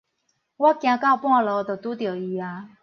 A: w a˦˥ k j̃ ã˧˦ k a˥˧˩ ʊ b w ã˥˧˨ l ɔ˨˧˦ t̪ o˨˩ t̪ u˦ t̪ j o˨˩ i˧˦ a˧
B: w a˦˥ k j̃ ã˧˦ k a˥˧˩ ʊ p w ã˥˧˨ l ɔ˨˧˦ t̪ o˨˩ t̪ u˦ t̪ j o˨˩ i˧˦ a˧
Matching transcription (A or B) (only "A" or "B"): B